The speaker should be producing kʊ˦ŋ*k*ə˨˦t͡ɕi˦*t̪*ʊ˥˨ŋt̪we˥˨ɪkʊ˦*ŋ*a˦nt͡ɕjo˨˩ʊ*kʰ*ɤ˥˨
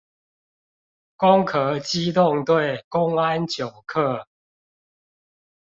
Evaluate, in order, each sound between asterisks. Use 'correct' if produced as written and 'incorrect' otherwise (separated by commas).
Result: incorrect, correct, correct, correct